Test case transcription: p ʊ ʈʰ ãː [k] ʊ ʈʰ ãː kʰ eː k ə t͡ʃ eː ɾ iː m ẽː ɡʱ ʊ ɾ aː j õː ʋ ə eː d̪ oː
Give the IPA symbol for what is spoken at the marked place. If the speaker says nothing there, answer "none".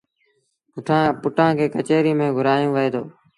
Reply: p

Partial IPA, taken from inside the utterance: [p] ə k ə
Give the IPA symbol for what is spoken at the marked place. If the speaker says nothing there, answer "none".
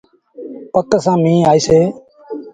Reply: p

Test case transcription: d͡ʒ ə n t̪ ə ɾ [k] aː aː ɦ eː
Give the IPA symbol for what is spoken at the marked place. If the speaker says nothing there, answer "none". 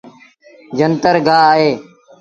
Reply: ɡ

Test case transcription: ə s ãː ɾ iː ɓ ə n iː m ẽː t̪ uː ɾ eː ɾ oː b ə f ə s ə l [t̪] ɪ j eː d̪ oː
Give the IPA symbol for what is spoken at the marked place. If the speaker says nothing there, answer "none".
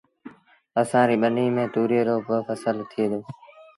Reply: t̪ʰ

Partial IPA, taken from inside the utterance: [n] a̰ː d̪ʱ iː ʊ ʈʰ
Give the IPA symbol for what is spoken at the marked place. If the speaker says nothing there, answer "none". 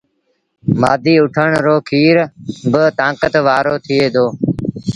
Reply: m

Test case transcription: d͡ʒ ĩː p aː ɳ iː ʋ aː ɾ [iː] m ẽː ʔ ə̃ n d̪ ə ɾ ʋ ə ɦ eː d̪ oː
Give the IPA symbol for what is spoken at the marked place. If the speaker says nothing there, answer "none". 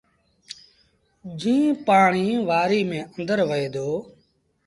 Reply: iː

